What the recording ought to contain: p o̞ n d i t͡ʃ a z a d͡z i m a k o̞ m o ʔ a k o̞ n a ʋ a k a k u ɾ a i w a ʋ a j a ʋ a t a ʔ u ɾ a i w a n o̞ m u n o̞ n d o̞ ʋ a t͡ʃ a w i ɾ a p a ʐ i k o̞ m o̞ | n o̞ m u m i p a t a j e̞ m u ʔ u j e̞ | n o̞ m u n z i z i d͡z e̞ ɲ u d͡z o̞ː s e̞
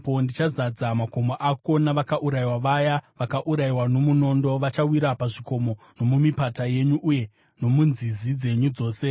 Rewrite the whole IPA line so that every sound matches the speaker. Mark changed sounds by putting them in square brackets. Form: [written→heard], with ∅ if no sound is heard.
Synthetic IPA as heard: p o̞ n d i t͡ʃ a z a d͡z [i→a] m a k o̞ m o ʔ a k o̞ n a ʋ a k a [k→ʔ] u ɾ a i w a ʋ a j a ʋ a [t→k] a ʔ u ɾ a i w a n o̞ m u n o̞ n d o̞ ʋ a t͡ʃ a w i ɾ a p a ʐ i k o̞ m o̞ | n o̞ m u m i p a t a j e̞ [m→ɲ] u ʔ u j e̞ | n o̞ m u n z i z i d͡z e̞ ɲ u d͡z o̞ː s e̞

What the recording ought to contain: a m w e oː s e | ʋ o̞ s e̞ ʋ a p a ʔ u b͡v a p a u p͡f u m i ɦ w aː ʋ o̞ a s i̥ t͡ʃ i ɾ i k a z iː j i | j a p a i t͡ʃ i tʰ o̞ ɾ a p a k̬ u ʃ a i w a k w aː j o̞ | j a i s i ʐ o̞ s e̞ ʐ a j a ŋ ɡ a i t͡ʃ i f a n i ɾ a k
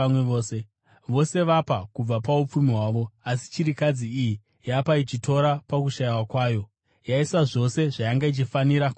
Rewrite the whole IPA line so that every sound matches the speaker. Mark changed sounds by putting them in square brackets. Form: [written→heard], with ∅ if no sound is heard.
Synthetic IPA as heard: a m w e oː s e | ʋ o̞ s e̞ ʋ a p a [ʔ→k] u b͡v a p a u p͡f u m i ɦ w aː ʋ o̞ a s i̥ t͡ʃ i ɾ i k a [z→d͡z] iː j i | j a p a i t͡ʃ i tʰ o̞ ɾ a p a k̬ u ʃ a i w a k w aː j o̞ | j a i s [i→a] ʐ o̞ s e̞ ʐ a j a ŋ ɡ a i t͡ʃ i f a n i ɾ a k

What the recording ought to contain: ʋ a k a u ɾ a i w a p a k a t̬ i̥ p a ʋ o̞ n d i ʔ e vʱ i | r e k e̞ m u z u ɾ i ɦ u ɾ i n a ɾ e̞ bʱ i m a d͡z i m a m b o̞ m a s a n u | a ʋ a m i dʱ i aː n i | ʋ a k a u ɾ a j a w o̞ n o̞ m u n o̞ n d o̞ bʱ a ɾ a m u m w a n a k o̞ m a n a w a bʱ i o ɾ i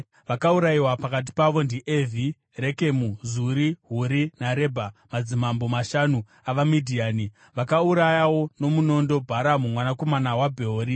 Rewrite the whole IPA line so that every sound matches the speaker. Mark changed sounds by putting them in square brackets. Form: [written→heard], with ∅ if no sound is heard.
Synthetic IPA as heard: ʋ a k a u ɾ a i w a p a k a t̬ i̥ p a ʋ o̞ n d i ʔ e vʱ i | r e k e̞ m u z u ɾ i ɦ u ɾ i n a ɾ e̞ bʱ [i→a] m a d͡z i m a m b o̞ m a [s→ʃ] a n u | a ʋ a m i dʱ i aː n i | ʋ a k a u ɾ a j a w o̞ n o̞ m u n o̞ n d o̞ bʱ a ɾ a m u m w a n a k o̞ m a n a w a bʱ [i→e] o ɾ i

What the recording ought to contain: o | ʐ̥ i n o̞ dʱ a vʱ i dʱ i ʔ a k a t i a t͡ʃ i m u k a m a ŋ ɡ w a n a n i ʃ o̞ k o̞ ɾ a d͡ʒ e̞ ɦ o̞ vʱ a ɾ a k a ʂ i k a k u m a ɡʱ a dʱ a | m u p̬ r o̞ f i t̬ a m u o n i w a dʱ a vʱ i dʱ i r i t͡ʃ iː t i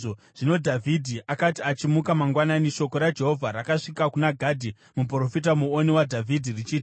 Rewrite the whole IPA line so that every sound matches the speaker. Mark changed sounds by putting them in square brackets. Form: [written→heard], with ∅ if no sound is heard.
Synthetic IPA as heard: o | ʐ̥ i n o̞ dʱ a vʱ i dʱ i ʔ a k a t i a t͡ʃ i m u k a m a ŋ ɡ w a n a n i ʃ o̞ k o̞ ɾ a d͡ʒ e̞ ɦ o̞ vʱ a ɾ a k a ʂ i k a k u [m→n] a ɡʱ a dʱ [a→i] | m u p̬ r o̞ f i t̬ a m u o n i w a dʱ a vʱ i dʱ i r i t͡ʃ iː t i

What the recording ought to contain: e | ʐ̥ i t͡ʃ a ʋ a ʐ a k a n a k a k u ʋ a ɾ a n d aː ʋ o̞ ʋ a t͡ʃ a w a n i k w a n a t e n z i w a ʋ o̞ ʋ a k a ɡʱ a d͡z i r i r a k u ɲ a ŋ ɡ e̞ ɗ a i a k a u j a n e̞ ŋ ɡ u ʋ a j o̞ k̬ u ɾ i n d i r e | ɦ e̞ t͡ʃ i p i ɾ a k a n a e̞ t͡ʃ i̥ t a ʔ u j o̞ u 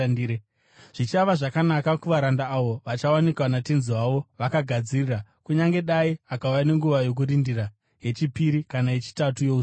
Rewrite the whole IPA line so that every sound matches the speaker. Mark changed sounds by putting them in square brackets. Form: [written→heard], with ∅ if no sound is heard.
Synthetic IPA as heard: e | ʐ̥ i t͡ʃ a ʋ a ʐ a k a n a k a k u ʋ a ɾ a n d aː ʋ o̞ ʋ a t͡ʃ a w a n i k w a n a t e n z i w a ʋ o̞ ʋ a k a ɡʱ a d͡z i r i r a k u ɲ a ŋ ɡ e̞ ɗ a i a k a u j a n e̞ ŋ ɡ u ʋ a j o̞ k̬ u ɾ i n d i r [e→a] | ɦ e̞ t͡ʃ i p i ɾ [a→i] k a n a e̞ t͡ʃ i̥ t a [ʔ→t] u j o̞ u

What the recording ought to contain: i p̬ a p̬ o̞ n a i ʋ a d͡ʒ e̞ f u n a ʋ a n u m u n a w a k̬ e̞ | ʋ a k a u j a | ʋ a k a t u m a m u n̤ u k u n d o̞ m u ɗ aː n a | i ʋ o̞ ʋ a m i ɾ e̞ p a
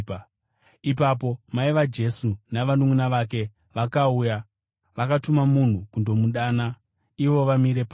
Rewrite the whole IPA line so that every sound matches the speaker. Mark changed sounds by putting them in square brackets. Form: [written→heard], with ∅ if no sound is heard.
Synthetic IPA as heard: i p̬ a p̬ o̞ [n→m] a i ʋ a d͡ʒ e̞ [f→s] u n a ʋ a n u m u n a [w→ʋ] a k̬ e̞ | ʋ a k a u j a | ʋ a k a t u m a m u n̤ u k u n d o̞ m u ɗ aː n a | i ʋ o̞ ʋ a m i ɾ e̞ p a

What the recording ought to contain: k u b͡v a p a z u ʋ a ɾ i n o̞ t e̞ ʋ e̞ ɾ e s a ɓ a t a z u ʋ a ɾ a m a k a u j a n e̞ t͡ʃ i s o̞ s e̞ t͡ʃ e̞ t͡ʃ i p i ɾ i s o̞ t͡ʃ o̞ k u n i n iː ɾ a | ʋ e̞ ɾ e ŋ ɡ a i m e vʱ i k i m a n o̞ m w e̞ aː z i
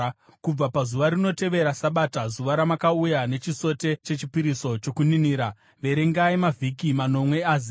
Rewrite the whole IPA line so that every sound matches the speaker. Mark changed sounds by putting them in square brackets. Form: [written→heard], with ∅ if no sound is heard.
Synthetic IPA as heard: k u b͡v a p a z u ʋ a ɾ i n o̞ t e̞ ʋ e̞ ɾ [e→a] s a ɓ a t a z u ʋ a ɾ a m a k a u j a n e̞ t͡ʃ i s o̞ [s→t] e̞ t͡ʃ e̞ t͡ʃ i p i ɾ i s o̞ t͡ʃ o̞ k u n i n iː ɾ a | ʋ e̞ ɾ e ŋ ɡ a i m [e→a] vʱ i k i m a n o̞ m w e̞ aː z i

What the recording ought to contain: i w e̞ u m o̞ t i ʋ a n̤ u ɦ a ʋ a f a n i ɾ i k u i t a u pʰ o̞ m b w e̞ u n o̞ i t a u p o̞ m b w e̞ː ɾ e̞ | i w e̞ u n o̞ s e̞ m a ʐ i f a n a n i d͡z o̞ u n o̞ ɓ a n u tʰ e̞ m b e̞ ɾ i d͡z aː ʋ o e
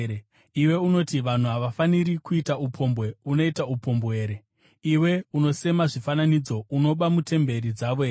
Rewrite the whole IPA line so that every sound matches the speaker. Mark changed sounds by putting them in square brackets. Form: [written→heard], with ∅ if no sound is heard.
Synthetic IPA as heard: i w e̞ u [m→n] o̞ t i ʋ a n̤ u ɦ a ʋ a f a n i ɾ i k u i t a u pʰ o̞ m b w e̞ u n o̞ i t a u p o̞ m b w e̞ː ɾ e̞ | i w e̞ u n o̞ s e̞ m a ʐ i f a n a n i d͡z o̞ u n o̞ ɓ a [n→m] u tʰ e̞ m b e̞ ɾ i d͡z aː ʋ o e

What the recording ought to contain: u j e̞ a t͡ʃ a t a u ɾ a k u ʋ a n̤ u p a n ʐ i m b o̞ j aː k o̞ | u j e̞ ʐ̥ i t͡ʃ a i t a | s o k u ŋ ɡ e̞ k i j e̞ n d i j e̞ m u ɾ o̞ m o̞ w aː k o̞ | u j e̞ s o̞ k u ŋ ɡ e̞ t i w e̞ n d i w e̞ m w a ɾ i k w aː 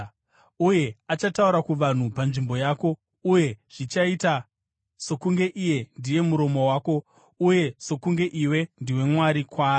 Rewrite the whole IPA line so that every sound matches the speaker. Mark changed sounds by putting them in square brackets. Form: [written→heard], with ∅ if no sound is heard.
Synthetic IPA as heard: u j e̞ a t͡ʃ a t a u ɾ a k u ʋ a n̤ u p a n ʐ i m b o̞ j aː k o̞ | u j e̞ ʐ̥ i t͡ʃ a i t a | s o k u ŋ ɡ e̞ [k→ʔ] i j e̞ n d i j e̞ m u ɾ o̞ m o̞ w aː k o̞ | u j e̞ s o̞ k u ŋ ɡ e̞ [t→ʔ] i w e̞ n d i w e̞ m w a ɾ i k w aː

